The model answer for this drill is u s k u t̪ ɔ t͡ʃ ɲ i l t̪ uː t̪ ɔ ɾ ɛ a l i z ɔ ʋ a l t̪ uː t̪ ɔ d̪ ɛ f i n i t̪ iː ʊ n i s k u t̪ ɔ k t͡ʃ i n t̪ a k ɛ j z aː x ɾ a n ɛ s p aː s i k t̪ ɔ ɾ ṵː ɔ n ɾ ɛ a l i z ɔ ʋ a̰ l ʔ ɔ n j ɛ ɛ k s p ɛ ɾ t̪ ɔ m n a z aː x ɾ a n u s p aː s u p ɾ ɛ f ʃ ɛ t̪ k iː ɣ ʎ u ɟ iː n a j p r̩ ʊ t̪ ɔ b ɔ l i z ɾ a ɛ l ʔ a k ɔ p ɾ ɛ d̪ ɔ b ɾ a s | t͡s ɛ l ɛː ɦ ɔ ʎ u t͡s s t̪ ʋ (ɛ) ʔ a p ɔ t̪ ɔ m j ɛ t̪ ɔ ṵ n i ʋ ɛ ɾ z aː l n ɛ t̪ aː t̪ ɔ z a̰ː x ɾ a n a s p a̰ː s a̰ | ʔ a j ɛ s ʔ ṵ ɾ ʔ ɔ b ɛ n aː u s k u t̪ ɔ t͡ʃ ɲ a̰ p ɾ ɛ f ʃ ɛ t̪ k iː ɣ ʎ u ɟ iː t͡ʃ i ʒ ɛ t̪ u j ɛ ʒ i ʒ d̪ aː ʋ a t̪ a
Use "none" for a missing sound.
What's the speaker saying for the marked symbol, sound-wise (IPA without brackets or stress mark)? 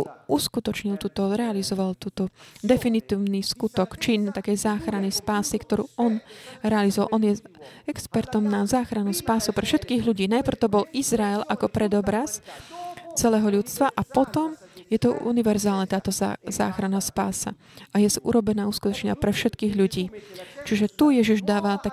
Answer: a